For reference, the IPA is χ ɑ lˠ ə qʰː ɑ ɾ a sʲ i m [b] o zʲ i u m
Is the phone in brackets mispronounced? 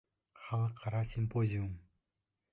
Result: yes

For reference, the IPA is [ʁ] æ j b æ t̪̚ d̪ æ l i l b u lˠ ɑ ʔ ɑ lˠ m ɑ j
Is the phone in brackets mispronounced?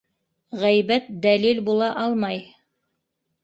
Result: no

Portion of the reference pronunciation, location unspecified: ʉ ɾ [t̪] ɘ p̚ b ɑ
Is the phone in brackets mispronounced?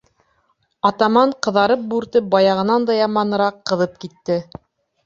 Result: no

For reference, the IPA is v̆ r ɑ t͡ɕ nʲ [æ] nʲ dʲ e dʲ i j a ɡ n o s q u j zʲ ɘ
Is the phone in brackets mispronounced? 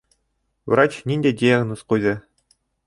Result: yes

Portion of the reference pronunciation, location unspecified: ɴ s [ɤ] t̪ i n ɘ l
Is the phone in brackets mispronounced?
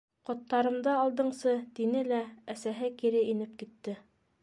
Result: no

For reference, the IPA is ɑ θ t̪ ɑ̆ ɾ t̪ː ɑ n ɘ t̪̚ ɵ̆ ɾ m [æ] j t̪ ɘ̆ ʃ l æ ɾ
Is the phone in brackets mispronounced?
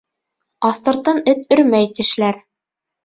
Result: no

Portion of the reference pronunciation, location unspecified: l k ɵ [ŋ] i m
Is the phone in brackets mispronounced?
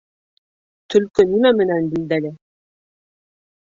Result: yes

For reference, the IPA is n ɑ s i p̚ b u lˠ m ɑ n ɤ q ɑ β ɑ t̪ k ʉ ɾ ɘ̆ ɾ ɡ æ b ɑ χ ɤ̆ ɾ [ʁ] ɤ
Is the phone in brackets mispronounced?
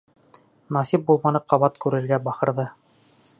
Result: yes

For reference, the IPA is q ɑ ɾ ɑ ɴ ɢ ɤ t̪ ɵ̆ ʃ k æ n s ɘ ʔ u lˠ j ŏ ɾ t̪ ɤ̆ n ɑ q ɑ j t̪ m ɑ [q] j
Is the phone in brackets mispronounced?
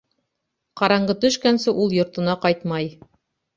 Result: yes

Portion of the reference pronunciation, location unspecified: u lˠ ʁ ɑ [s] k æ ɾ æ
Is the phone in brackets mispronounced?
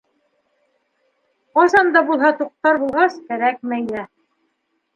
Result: no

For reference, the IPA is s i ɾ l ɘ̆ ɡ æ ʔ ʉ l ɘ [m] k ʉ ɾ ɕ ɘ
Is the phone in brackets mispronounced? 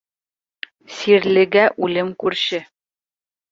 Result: no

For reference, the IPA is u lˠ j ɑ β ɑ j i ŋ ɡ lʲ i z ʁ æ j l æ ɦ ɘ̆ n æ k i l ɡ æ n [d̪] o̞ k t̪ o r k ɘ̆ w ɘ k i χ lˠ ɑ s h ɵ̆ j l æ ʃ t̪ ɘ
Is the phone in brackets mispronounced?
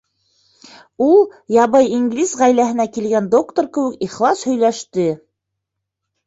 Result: no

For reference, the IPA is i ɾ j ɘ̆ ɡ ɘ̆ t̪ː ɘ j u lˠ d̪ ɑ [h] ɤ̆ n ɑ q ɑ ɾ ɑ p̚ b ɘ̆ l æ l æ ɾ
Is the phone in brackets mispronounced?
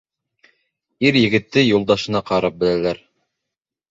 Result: yes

